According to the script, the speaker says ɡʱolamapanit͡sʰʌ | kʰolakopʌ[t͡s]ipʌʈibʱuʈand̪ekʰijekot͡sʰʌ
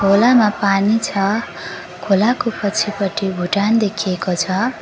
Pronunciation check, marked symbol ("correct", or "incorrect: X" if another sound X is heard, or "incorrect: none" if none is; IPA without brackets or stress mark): incorrect: t͡sʰ